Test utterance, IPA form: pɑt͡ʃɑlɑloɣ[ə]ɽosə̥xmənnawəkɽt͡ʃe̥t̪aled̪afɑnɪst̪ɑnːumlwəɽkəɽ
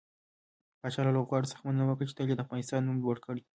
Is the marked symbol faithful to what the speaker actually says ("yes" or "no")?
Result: no